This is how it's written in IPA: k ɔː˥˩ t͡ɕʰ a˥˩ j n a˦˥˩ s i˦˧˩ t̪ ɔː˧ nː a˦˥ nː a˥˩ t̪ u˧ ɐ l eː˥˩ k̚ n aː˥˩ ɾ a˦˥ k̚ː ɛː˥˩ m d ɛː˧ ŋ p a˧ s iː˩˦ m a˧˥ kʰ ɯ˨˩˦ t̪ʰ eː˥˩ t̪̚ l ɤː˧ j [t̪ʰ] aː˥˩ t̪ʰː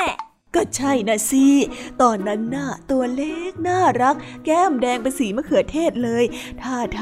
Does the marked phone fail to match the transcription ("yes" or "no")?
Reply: no